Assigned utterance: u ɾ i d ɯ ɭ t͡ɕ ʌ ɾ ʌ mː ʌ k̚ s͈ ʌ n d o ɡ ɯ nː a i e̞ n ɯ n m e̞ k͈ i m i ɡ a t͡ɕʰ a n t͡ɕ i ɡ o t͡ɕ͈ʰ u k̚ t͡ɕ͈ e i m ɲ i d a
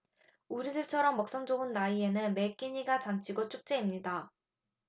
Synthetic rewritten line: u ɾ i d ɯ ɭ t͡ɕʰ ʌ ɾ ʌ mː ʌ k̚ s͈ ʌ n d͡ʑ o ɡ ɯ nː a i e̞ n ɯ n m e̞ k͈ i ɲ i ɡ a t͡ɕ a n t͡ɕʰ i ɡ o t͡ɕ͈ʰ u k̚ t͡ɕ͈ e i m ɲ i d a